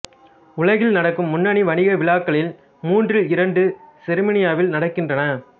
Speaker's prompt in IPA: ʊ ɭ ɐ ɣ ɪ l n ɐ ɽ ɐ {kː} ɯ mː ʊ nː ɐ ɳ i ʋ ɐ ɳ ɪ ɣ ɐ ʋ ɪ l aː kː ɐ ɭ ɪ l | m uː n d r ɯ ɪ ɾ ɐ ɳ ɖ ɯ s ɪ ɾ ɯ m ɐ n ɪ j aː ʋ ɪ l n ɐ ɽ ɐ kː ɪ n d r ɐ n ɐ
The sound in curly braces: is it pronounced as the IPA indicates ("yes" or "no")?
yes